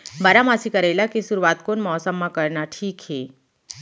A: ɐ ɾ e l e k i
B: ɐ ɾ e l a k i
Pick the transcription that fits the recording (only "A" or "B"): B